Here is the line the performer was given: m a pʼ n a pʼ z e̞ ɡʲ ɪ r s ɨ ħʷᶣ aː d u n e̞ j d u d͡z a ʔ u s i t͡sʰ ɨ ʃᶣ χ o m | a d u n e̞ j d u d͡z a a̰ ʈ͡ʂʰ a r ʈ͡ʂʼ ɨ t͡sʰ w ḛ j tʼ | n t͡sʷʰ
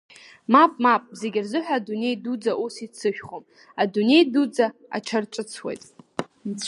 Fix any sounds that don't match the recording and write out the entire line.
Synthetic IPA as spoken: m a pʼ m a pʼ z e̞ ɡʲ ɪ r z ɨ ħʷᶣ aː d u n e̞ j d u d͡z a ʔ u s i t͡sʰ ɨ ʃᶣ χ o m | a d u n e̞ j d u d͡z a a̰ ʈ͡ʂʰ a r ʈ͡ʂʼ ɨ t͡sʰ w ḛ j tʼ | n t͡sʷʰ